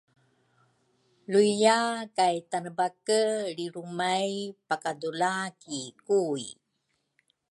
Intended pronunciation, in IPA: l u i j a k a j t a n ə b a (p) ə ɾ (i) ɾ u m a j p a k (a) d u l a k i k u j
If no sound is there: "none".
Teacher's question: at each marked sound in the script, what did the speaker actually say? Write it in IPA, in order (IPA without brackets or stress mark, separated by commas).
k, i, a